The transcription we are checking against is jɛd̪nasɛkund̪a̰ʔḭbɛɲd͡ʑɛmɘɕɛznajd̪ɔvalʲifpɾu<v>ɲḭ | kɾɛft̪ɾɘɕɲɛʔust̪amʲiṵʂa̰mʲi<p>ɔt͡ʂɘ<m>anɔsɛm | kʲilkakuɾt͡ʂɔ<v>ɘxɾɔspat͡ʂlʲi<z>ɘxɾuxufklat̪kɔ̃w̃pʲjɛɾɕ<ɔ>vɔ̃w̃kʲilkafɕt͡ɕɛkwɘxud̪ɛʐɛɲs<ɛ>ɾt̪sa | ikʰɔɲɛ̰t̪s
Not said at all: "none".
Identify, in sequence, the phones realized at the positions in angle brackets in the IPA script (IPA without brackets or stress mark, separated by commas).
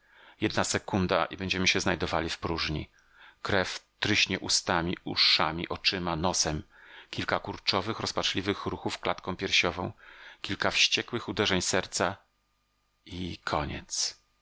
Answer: ʐ, ʔ, m, v, v, ɔ, ɛ